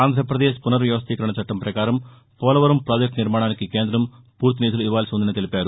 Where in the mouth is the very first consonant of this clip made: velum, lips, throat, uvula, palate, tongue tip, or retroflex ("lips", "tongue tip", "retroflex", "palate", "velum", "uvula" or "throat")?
tongue tip